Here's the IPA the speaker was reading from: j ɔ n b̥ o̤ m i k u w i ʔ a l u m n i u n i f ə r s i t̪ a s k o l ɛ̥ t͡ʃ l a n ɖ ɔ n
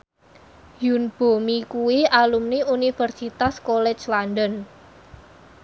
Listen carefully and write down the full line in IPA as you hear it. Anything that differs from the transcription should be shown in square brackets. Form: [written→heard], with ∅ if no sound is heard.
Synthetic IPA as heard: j [ɔ→u] n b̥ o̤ m i k u w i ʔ a l u m n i u n i f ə r s i t̪ a s k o l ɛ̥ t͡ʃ l a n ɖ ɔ n